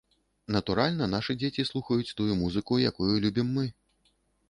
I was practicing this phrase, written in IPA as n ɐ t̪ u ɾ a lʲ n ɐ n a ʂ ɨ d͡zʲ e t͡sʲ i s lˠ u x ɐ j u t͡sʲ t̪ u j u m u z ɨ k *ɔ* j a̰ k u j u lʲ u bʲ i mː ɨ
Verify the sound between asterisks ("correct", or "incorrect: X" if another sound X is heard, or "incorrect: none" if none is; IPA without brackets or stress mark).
incorrect: u